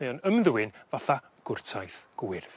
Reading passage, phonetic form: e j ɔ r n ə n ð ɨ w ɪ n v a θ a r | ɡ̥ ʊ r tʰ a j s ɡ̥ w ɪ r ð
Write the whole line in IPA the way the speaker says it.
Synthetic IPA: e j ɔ n ə m ð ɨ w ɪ n v a θ a | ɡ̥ ʊ r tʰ a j θ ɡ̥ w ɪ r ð